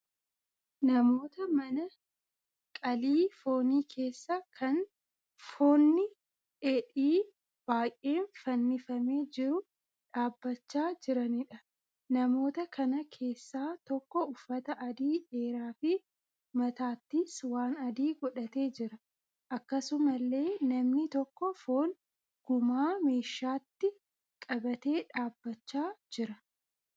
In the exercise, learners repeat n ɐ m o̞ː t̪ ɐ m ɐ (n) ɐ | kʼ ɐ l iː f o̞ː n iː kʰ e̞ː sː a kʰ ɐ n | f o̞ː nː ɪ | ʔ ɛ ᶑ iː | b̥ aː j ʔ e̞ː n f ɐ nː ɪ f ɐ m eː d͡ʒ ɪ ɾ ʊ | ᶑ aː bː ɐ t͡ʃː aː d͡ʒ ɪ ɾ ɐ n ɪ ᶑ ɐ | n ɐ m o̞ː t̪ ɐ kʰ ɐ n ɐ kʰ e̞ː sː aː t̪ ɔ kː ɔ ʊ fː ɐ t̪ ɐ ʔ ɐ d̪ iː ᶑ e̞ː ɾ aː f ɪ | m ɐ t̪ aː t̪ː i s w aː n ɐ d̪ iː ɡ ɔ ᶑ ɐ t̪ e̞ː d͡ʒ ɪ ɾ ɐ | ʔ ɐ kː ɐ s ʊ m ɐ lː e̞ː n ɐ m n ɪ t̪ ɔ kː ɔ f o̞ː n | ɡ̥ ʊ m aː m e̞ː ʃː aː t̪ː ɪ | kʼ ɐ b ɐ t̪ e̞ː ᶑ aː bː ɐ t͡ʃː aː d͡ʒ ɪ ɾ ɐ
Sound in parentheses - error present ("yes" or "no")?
no